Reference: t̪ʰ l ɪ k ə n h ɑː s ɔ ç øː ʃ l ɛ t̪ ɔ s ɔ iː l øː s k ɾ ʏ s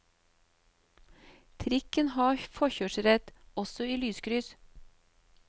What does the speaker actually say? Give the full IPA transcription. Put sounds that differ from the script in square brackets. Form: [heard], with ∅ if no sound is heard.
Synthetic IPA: t̪ʰ [ɾ] ɪ k ə n h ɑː [f] ɔ ç øː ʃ [ɾ] ɛ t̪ ɔ s ɔ iː l [yː] s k ɾ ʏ s